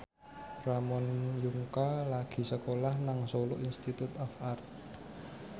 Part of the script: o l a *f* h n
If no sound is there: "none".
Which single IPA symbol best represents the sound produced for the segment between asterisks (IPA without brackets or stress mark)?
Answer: none